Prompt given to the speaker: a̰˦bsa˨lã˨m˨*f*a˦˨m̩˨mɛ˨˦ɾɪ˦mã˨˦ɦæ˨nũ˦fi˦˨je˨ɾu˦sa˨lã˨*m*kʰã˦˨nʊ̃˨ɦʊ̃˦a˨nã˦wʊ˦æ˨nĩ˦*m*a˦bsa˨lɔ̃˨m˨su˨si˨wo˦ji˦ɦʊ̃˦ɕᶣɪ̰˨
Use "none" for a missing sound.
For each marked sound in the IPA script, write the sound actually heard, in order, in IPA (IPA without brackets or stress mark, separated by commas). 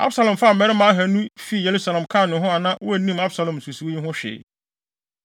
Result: f, m, m